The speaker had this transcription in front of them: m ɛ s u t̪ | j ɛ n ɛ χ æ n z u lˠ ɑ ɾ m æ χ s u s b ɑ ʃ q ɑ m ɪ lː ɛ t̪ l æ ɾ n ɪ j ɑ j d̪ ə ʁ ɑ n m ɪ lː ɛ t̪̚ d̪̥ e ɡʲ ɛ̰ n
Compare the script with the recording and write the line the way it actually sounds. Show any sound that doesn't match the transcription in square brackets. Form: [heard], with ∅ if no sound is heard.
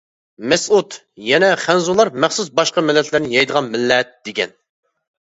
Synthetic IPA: m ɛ s u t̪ | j ɛ n ɛ χ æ n z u lˠ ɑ ɾ m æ χ s u s b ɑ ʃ q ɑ m ɪ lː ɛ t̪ l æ ɾ n ɪ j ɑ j d̪ ə ʁ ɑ n m ɪ lː ɛ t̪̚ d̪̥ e ɡʲ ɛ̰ n